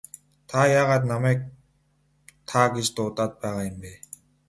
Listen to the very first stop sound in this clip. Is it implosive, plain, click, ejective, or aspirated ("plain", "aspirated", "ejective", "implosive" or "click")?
aspirated